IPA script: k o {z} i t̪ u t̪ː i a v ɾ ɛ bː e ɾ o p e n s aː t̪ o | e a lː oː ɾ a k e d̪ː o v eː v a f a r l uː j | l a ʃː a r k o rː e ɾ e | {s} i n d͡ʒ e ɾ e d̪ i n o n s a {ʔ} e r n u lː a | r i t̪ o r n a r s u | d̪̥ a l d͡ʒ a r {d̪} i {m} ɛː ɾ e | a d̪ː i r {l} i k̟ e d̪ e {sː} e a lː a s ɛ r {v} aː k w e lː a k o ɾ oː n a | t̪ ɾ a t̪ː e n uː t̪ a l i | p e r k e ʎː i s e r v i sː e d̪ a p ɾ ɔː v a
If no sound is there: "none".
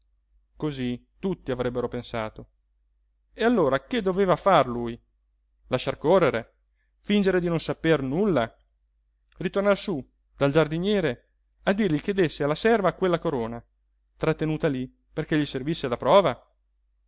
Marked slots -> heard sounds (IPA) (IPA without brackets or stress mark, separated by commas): z, f, p, d̪, ɲ, ʎ, sː, v